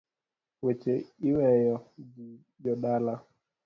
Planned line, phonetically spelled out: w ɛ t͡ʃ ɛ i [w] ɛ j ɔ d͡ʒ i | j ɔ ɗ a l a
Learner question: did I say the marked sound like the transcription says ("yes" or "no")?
yes